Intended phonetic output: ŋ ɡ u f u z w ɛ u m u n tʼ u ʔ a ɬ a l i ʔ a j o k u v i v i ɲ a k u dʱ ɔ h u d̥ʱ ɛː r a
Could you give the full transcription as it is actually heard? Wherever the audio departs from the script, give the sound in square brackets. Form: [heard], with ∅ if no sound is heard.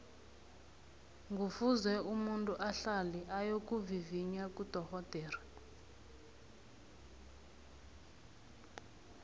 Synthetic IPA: ŋ ɡ u f u z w ɛ u m u n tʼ u ʔ a ɬ a l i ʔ a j o k u v i v i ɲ a k u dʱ ɔ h [ɔ] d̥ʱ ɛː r a